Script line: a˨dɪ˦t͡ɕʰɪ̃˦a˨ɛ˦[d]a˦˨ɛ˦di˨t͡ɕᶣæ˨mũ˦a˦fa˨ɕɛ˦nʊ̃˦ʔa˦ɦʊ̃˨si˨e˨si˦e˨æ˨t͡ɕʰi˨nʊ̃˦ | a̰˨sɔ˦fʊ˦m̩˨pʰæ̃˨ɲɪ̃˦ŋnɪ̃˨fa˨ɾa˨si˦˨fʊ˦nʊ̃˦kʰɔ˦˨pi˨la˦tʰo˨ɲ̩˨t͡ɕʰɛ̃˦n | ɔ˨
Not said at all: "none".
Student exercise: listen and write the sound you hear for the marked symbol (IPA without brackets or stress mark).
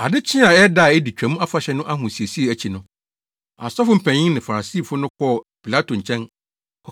d